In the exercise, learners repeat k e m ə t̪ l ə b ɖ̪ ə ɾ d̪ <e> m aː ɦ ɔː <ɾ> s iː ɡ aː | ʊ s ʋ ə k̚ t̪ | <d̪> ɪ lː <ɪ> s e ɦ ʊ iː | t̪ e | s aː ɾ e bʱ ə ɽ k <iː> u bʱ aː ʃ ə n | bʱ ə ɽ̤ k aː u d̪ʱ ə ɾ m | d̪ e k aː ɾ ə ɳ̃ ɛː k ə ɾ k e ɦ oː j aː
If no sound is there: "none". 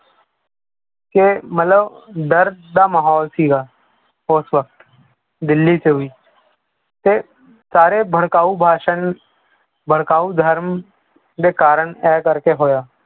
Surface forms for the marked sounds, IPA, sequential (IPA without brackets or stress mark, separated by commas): a, l, d̪, i, aː